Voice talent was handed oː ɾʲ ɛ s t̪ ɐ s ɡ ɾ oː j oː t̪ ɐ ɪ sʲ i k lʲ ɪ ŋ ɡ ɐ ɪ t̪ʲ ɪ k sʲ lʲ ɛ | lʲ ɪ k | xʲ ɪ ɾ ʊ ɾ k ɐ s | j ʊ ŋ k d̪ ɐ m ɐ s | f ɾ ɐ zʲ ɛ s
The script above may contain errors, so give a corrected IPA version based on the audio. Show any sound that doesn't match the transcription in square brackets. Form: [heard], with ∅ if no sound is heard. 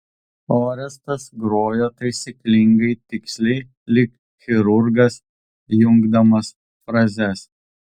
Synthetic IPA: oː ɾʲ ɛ s t̪ ɐ s ɡ ɾ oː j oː t̪ ɐ ɪ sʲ i k lʲ ɪ ŋ ɡ ɐ ɪ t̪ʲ ɪ k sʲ lʲ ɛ | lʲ ɪ k | xʲ ɪ ɾ ʊ ɾ [ɡ] ɐ s | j ʊ ŋ [ɡ] d̪ ɐ m ɐ s | f ɾ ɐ zʲ ɛ s